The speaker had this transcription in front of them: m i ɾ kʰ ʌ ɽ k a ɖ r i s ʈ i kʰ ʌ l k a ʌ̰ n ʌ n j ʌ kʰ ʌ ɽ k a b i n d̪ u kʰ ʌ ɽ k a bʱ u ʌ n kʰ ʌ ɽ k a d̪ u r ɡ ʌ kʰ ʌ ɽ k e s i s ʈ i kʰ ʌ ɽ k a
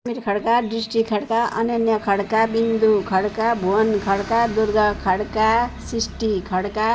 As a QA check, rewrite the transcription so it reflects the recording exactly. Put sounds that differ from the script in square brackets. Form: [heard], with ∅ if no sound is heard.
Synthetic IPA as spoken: m i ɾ kʰ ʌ ɽ k a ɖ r i s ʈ i kʰ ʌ [ɽ] k a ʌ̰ n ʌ n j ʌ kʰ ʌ ɽ k a b i n d̪ u kʰ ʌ ɽ k a bʱ u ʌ n kʰ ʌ ɽ k a d̪ u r ɡ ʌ kʰ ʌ ɽ k [a] s i s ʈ i kʰ ʌ ɽ k a

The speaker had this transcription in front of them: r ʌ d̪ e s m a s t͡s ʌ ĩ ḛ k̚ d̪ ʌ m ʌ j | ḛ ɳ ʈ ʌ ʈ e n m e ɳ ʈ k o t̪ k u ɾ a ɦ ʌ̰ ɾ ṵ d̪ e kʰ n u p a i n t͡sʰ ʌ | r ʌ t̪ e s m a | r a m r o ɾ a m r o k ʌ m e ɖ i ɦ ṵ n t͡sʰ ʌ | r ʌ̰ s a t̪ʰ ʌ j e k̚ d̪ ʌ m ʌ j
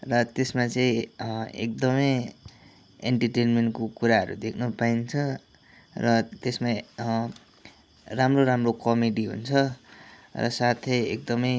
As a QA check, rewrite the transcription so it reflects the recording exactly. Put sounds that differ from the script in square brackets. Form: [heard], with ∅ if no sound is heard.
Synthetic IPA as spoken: r ʌ [t̪] e s m a [∅] t͡s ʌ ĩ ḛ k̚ d̪ ʌ m ʌ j | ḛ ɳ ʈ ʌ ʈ e n m e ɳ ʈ k o [∅] k u ɾ a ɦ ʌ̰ ɾ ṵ d̪ e kʰ n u p a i n t͡sʰ ʌ | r ʌ t̪ e s m a | r a m r o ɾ a m r o k ʌ m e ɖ i ɦ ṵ n t͡sʰ ʌ | r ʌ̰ s a t̪ʰ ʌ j e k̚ d̪ ʌ m ʌ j

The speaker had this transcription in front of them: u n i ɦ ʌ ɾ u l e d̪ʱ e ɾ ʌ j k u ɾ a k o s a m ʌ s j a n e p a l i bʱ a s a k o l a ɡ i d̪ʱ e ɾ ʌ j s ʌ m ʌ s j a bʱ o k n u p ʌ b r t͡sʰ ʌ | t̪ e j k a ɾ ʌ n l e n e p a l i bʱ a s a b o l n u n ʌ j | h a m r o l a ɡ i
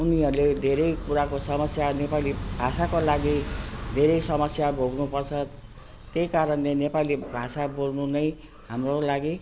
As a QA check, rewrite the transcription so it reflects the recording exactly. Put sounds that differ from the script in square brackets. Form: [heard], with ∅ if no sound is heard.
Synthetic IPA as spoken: u n i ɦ ʌ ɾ u l e d̪ʱ e ɾ ʌ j k u ɾ a k o s [ʌ] m ʌ s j a n e p a l i bʱ a s a k o l a ɡ i d̪ʱ e ɾ ʌ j s ʌ m ʌ s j a bʱ o [ɡ] n u p ʌ [∅] r t͡sʰ ʌ | t̪ e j k a ɾ ʌ n l e n e p a l i bʱ a s a b o l n u n ʌ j | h a m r o l a ɡ i

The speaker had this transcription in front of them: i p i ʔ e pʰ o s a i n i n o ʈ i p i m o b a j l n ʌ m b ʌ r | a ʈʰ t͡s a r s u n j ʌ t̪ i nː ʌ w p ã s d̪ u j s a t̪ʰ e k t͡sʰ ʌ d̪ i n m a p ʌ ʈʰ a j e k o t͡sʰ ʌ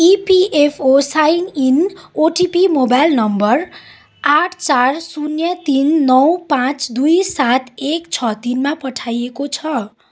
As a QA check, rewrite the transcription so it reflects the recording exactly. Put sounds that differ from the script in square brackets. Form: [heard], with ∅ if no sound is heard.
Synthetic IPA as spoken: i p i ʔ e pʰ o s a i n i n o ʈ i p i m o b a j l n ʌ m b ʌ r | a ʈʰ t͡s a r s u n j ʌ t̪ i nː ʌ w p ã [t͡s] d̪ u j s a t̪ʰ e k t͡sʰ ʌ [t̪] i n m a p ʌ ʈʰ a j e k o t͡sʰ ʌ

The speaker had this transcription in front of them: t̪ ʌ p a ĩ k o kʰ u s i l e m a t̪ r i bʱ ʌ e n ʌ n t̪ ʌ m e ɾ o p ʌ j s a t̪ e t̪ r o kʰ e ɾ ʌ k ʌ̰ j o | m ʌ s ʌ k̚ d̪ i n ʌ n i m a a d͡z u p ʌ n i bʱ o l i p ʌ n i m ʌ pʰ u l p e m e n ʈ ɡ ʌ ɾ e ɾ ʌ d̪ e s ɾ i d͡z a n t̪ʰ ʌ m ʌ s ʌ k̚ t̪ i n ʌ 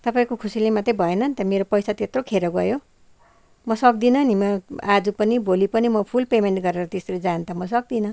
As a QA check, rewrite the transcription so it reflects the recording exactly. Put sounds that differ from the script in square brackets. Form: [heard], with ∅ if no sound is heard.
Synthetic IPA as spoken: t̪ ʌ p a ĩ k o kʰ u s i l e m a t̪ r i bʱ ʌ e n ʌ n t̪ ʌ m e ɾ o p ʌ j s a t̪ e t̪ r o kʰ e ɾ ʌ [ɡ] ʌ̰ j o | m ʌ s ʌ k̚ d̪ i n ʌ n i m [ʌ] a d͡z u p ʌ n i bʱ o l i p ʌ n i m ʌ pʰ u l p e m e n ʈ ɡ ʌ ɾ e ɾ ʌ [t̪] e s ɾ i d͡z a n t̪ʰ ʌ m ʌ s ʌ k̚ [d̪] i n ʌ

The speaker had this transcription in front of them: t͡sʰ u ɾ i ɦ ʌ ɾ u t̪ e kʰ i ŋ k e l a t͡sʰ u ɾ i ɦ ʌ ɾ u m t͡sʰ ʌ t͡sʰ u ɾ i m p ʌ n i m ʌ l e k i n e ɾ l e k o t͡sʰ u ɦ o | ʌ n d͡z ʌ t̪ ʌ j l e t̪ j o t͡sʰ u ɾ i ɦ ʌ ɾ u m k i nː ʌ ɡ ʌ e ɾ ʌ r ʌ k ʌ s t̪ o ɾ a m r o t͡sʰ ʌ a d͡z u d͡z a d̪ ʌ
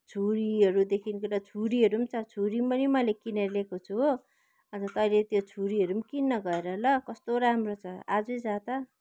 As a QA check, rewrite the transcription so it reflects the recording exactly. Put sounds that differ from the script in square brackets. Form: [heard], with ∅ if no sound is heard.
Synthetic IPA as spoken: t͡sʰ u ɾ i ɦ ʌ ɾ u [d̪] e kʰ i [n] k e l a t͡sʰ u ɾ i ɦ ʌ ɾ u m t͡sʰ ʌ t͡sʰ u ɾ i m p ʌ n i m ʌ l e k i n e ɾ l e k o t͡sʰ u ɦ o | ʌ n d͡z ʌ t̪ ʌ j l e t̪ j o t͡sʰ u ɾ i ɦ ʌ ɾ u m k i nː ʌ ɡ ʌ e ɾ ʌ [l] ʌ k ʌ s t̪ o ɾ a m r o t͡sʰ ʌ a d͡z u d͡z a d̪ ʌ

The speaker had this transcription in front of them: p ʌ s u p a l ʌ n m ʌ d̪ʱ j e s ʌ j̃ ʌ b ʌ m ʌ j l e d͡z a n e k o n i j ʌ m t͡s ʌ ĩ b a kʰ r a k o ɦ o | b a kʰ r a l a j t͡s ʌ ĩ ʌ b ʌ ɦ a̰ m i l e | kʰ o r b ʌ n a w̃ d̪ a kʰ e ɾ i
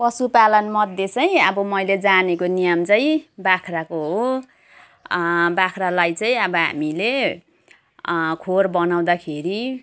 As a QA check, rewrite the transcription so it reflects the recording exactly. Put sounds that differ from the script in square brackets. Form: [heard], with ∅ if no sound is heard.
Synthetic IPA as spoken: p ʌ s u p a l ʌ n m ʌ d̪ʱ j e [t͡s] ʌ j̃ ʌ b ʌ m ʌ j l e d͡z a n e k o n i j ʌ m t͡s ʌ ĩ b a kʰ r a k o ɦ o | b a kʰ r a l a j t͡s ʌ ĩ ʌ b ʌ ɦ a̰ m i l e | kʰ o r b ʌ n a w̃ d̪ a kʰ e ɾ i

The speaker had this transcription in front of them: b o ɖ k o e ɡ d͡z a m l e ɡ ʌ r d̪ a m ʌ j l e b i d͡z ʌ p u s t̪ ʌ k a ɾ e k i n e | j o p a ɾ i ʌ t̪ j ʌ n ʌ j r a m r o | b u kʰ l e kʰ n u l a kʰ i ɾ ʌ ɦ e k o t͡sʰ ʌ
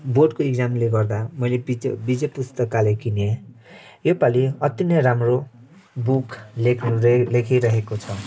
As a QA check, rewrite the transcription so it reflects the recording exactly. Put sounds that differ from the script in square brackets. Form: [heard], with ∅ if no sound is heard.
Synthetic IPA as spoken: b o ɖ k o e ɡ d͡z a m l e ɡ ʌ r d̪ a m ʌ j l e b i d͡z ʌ p u s t̪ ʌ k a [l] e k i n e | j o p a [l] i ʌ t̪ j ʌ n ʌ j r a m r o | b u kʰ l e kʰ n u l [e] kʰ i ɾ ʌ ɦ e k o t͡sʰ ʌ

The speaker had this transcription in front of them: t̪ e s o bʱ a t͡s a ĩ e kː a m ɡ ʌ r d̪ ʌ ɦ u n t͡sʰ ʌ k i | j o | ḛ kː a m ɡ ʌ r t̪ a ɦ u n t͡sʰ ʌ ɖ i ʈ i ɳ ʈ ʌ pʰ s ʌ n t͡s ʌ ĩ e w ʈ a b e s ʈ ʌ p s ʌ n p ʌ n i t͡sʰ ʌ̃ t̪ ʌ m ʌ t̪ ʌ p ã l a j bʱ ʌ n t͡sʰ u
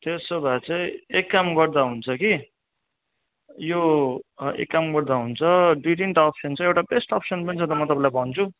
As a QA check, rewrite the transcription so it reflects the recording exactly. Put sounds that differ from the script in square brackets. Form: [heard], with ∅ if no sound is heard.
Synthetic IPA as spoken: t̪ e s o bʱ a t͡s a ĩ e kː a m ɡ ʌ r d̪ [a] ɦ u n t͡sʰ ʌ k i | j o | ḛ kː a m ɡ ʌ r [d̪] a ɦ u n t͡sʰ ʌ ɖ i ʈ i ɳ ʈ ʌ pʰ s ʌ n t͡s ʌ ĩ e w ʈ a b e s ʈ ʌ p s ʌ n p ʌ n i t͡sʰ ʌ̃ t̪ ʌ m ʌ t̪ ʌ p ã l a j bʱ ʌ n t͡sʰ u

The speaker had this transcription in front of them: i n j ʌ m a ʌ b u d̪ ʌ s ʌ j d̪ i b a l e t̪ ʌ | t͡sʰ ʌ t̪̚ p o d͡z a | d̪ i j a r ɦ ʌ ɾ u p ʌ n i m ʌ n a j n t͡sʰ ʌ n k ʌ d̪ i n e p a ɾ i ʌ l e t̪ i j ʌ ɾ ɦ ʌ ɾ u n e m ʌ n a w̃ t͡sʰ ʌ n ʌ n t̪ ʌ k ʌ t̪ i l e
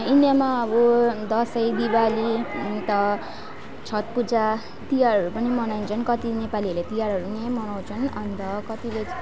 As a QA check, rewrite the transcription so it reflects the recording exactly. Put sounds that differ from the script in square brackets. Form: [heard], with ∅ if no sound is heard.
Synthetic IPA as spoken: i n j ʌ m a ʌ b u d̪ ʌ s ʌ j d̪ i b a l [i] t̪ ʌ | t͡sʰ ʌ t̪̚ p [u] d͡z a | [t̪] i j a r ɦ ʌ ɾ u p ʌ n i m ʌ n a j n t͡sʰ ʌ n k ʌ [t̪] i n e p a [l] i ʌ l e t̪ i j [a] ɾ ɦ ʌ ɾ u n e m ʌ n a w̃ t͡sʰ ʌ n ʌ n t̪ ʌ k ʌ t̪ i l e

